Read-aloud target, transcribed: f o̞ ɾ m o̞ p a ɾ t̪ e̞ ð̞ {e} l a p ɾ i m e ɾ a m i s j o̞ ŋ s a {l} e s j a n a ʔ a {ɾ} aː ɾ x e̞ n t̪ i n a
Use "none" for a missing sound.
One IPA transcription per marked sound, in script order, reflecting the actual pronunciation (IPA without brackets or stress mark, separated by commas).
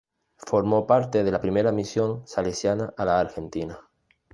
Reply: e, l, l